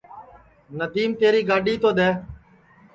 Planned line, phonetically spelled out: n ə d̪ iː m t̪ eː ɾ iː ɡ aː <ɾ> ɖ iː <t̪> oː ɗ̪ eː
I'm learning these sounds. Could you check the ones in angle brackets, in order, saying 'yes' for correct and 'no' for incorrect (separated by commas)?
no, yes